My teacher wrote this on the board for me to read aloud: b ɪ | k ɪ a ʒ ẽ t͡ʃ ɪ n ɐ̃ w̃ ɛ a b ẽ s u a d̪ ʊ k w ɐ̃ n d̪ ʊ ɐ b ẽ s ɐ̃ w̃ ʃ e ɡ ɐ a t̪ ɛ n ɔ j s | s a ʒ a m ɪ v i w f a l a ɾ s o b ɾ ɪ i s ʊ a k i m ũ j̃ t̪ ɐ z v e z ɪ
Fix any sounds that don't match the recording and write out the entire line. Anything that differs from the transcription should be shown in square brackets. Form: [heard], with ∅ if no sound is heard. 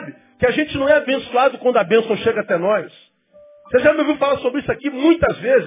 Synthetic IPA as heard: b ɪ | k ɪ a ʒ ẽ t͡ʃ ɪ n ɐ̃ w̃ ɛ a b ẽ s u a d̪ ʊ k w ɐ̃ n d̪ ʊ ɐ b ẽ s ɐ̃ w̃ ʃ e ɡ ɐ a t̪ ɛ n ɔ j s | s [e] ʒ a m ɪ v i w f a l a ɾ s o b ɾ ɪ i s ʊ a k i m ũ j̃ t̪ ɐ z v e z ɪ